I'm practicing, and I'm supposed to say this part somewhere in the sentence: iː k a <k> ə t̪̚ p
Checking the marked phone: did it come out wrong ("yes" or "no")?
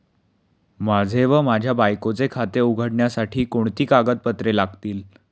yes